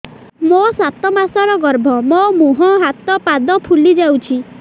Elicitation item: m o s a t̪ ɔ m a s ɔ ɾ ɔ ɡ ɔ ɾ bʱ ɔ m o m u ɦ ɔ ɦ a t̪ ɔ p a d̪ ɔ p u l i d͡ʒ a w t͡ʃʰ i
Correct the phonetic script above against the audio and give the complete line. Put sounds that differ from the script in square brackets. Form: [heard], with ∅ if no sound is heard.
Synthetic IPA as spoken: m o s a t̪ ɔ m a s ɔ ɾ ɔ ɡ ɔ ɾ bʱ ɔ m o m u ɦ ɔ ɦ a t̪ ɔ p a d̪ ɔ [pʰ] u l i d͡ʒ a w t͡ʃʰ i